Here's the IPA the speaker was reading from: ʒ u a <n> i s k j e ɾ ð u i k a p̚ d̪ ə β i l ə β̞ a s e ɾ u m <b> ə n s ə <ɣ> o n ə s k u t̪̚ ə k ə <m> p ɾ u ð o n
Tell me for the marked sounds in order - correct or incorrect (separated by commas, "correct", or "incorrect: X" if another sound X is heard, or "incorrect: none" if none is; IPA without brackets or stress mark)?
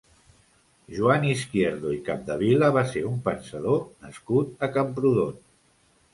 correct, incorrect: p, incorrect: ð, correct